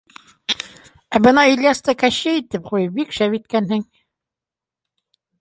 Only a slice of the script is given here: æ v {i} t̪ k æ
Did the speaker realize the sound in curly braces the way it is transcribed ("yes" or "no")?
yes